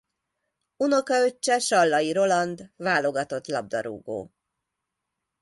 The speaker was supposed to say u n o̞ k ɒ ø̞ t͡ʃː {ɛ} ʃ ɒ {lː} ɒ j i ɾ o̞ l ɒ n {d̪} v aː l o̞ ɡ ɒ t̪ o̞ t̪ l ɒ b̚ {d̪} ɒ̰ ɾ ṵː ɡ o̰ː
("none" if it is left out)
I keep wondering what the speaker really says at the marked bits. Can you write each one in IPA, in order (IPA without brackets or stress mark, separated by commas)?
ɛ, lː, d̪, d̪